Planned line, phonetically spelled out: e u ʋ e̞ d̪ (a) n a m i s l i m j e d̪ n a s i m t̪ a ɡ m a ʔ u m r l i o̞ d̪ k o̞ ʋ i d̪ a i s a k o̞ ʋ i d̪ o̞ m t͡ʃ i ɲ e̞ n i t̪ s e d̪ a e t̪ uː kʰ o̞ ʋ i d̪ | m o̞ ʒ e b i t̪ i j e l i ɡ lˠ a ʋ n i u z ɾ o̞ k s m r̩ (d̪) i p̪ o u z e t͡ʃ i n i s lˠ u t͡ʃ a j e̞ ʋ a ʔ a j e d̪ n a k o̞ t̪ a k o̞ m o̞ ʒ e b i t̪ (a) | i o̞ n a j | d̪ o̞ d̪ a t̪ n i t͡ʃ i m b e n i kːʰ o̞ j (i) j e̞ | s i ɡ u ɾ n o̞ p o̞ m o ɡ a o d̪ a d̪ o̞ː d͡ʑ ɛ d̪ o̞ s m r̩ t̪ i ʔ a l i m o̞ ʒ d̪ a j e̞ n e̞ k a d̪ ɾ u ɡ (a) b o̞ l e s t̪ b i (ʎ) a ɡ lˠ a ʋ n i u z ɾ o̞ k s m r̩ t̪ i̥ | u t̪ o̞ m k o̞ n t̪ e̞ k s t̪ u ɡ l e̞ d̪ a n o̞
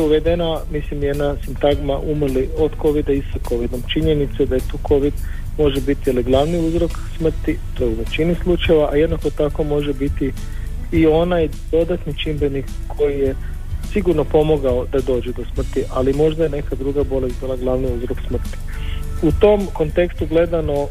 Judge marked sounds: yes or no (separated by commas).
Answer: no, no, no, yes, yes, no